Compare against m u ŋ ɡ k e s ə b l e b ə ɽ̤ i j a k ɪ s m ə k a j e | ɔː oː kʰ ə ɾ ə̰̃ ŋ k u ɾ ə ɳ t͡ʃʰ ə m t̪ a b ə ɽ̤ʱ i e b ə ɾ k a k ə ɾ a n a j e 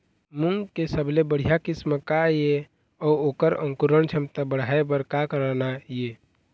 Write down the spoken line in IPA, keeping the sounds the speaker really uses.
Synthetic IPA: m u ŋ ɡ k e s ə b l e b ə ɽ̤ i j a k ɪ s m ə k a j e | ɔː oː k ə ɾ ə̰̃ ŋ k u ɾ ə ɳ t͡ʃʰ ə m t̪ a b ə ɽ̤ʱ a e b ə ɾ k a k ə ɾ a n a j e